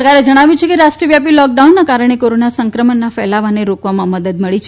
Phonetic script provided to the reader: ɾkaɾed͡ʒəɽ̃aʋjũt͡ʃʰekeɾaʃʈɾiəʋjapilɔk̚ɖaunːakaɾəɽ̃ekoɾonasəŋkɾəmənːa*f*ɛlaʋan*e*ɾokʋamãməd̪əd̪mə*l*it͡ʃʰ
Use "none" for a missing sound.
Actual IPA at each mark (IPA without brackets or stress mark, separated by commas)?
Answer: f, e, ɭ